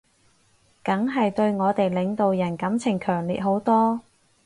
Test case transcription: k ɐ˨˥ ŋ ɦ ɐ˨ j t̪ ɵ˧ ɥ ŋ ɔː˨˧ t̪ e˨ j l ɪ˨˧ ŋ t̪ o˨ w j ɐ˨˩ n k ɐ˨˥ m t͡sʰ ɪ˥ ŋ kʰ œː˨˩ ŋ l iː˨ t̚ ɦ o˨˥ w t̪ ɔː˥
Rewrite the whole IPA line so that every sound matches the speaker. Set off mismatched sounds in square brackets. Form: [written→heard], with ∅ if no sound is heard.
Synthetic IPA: k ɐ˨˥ ŋ ɦ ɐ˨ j t̪ ɵ˧ ɥ ŋ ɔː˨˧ t̪ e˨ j l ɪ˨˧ ŋ t̪ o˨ w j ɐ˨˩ n k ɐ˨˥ m t͡sʰ [ɪ˥→ɪ˨˩] ŋ kʰ œː˨˩ ŋ l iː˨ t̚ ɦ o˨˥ w t̪ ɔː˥